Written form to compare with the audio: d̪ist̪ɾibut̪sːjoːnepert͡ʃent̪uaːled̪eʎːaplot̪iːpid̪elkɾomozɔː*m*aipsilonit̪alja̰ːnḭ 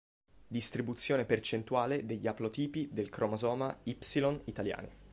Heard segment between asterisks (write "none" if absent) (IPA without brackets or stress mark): m